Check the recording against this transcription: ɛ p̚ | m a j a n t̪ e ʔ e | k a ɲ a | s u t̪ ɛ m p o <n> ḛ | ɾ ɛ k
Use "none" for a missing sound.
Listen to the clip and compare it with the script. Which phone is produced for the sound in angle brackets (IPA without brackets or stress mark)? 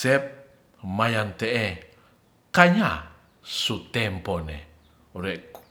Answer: n